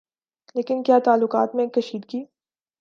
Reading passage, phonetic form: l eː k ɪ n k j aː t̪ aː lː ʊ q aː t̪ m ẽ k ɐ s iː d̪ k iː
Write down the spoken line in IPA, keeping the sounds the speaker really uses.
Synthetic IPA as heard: l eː k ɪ n k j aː t̪ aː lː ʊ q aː t̪ m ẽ k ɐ ʃ iː d̪ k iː